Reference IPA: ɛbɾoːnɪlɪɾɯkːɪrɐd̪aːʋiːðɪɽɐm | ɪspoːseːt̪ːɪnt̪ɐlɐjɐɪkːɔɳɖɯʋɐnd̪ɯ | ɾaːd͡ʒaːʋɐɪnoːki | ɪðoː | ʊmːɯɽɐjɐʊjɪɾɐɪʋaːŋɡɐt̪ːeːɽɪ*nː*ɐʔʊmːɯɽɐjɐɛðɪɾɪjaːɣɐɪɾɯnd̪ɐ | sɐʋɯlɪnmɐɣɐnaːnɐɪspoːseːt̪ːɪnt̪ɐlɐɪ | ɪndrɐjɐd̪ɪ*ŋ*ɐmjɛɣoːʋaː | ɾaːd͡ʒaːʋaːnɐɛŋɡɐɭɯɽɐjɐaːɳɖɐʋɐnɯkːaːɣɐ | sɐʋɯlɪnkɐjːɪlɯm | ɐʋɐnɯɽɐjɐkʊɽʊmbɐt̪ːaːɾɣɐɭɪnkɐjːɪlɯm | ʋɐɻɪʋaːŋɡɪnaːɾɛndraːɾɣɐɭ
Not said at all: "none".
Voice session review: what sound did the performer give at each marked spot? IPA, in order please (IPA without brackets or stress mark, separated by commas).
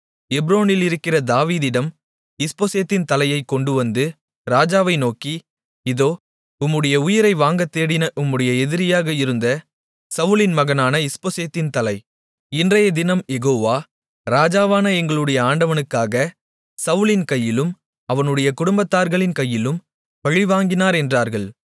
n, n